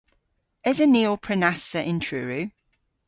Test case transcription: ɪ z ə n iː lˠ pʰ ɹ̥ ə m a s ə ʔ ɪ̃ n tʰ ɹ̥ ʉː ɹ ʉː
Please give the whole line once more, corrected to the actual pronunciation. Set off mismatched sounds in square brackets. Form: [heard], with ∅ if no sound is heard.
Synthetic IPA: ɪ z ə n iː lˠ pʰ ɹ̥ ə [n] a s ə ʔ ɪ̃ n tʰ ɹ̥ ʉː ɹ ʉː